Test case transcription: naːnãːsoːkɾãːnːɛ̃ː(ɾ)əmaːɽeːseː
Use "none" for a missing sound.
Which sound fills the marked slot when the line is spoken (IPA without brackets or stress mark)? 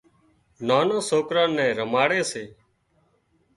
ɾ